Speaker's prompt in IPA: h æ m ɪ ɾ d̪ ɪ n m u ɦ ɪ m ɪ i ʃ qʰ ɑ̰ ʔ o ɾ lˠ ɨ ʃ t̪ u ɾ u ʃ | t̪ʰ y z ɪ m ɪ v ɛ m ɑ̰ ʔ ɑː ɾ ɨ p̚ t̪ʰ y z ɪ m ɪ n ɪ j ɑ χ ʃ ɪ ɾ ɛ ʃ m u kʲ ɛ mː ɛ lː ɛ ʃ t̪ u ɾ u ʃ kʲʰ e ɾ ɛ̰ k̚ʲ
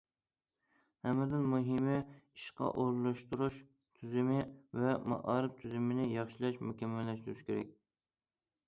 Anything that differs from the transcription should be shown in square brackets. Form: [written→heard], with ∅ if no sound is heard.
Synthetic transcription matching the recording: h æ m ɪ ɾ d̪ ɪ n m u ɦ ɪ m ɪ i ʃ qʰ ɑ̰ ʔ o ɾ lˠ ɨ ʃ t̪ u ɾ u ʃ | t̪ʰ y z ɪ m ɪ v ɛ m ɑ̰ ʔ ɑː ɾ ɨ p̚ t̪ʰ y z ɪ m ɪ n ɪ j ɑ χ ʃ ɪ [ɾ→l] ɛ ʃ m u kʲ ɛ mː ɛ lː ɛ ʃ t̪ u ɾ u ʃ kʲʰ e ɾ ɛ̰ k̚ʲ